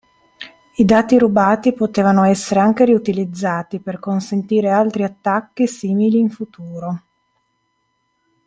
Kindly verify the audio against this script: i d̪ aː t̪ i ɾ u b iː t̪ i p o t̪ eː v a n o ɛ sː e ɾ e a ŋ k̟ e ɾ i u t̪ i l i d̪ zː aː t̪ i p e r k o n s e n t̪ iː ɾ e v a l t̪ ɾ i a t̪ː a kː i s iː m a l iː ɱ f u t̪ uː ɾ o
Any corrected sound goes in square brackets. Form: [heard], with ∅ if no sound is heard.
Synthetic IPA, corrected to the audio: i d̪ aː t̪ i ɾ u b [aː] t̪ i p o t̪ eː v a n o ɛ sː e ɾ e a ŋ k̟ e ɾ i u t̪ i l i d̪ zː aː t̪ i p e r k o n s e n t̪ iː ɾ e [∅] a l t̪ ɾ i a t̪ː a kː i s iː m [i] l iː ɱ f u t̪ uː ɾ o